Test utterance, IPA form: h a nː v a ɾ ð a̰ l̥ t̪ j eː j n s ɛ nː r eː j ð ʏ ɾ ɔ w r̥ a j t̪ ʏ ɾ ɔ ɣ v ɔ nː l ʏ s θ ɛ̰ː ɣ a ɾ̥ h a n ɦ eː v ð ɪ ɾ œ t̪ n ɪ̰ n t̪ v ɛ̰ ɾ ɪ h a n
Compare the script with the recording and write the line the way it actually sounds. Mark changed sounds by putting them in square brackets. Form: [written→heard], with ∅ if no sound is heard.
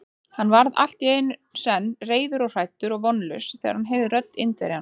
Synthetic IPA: h a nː v a ɾ ð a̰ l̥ t̪ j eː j n s ɛ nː r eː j ð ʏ ɾ ɔ [w→ɣ] r̥ a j t̪ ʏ ɾ ɔ ɣ v ɔ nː l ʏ s θ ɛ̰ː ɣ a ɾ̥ h a n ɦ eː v ð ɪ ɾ œ t̪ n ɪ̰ n t̪ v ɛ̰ ɾ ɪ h a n